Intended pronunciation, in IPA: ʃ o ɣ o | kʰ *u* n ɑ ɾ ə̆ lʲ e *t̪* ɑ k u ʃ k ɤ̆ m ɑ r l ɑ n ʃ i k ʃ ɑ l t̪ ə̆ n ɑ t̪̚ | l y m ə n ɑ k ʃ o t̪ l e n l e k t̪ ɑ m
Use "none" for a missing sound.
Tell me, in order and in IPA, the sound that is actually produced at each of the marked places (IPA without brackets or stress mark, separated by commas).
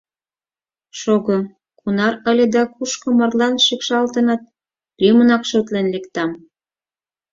u, d̪